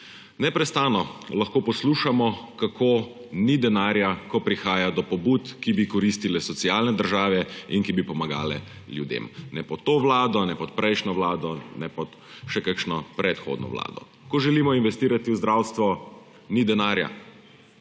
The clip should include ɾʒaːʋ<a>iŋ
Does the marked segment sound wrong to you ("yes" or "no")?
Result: yes